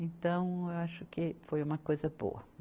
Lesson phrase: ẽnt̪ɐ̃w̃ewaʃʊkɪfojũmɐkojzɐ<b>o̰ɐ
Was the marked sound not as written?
no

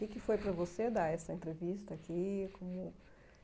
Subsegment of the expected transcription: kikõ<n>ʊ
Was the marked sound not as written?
yes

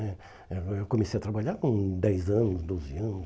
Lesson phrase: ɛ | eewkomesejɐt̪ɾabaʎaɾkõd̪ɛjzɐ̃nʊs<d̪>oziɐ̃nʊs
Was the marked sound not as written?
no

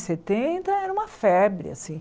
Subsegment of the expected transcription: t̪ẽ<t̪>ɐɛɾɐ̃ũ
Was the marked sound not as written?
no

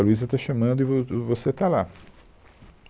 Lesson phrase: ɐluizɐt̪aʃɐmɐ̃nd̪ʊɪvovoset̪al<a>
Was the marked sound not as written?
no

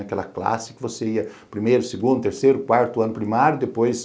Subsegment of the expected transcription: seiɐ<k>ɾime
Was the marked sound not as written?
yes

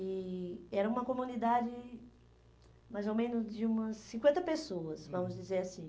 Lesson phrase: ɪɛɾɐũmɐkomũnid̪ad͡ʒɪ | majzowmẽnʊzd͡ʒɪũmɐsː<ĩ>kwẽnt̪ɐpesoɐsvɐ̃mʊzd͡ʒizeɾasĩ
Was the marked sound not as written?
no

